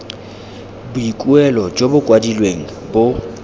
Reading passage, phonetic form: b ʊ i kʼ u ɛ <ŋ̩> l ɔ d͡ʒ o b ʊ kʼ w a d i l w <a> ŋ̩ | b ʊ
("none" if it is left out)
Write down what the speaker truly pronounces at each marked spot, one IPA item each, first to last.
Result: none, e

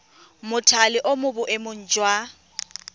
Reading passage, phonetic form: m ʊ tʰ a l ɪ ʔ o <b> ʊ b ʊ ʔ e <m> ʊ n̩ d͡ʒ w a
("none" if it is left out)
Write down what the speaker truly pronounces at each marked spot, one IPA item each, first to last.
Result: m, m

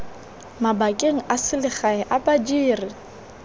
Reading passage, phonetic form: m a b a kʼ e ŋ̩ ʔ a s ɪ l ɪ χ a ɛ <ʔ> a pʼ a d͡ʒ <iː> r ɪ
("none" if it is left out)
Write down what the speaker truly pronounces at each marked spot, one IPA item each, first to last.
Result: ʔ, iː

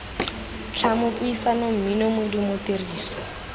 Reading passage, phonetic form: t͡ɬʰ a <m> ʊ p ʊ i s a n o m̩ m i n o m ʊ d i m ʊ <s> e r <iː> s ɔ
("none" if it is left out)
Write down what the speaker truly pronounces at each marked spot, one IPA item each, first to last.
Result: m, t, iː

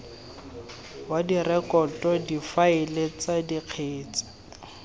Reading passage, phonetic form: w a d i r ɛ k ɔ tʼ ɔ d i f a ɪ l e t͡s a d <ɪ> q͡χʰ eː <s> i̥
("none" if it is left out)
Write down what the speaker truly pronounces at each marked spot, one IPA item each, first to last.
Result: i, t͡s

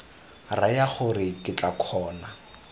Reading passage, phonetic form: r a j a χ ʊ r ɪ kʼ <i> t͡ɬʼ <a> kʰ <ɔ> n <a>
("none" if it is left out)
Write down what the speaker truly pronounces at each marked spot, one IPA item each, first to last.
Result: ɪ, a, ɔː, a

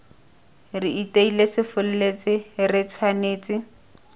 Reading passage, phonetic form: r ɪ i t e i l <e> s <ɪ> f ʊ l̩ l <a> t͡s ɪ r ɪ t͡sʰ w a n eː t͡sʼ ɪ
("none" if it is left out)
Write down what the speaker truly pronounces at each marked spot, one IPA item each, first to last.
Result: e, ɪ, e

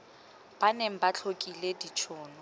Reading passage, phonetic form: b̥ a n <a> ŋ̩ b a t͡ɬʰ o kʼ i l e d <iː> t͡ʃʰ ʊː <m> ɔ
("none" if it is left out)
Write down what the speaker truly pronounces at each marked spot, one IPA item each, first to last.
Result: e, i, n

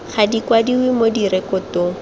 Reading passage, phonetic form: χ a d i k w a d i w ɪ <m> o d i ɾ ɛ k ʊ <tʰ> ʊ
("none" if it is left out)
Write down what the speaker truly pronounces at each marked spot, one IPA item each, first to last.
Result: m, t

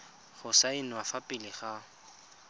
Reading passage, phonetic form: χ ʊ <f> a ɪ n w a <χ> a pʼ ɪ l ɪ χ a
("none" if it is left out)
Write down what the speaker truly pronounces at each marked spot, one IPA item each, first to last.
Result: s, f

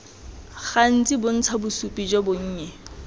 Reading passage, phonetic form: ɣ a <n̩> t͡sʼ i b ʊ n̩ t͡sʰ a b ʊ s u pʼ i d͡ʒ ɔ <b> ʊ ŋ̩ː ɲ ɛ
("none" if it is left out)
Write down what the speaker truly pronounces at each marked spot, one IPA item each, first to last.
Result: n̩, b

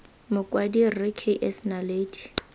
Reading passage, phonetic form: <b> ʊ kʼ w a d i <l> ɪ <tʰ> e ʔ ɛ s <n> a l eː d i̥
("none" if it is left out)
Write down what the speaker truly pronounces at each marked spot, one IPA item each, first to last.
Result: m, r, kʰ, n

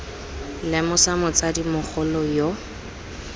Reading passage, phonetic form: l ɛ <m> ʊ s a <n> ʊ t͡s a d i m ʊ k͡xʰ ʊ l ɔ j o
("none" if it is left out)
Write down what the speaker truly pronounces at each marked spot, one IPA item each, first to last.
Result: m, m

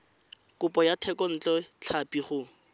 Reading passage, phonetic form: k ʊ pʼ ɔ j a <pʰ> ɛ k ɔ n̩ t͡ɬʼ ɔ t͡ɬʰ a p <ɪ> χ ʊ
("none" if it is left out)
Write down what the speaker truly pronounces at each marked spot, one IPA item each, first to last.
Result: tʰ, i

